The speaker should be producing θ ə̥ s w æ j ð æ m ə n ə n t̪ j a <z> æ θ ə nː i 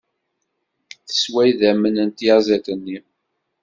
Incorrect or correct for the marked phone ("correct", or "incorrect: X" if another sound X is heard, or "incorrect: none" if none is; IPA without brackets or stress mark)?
correct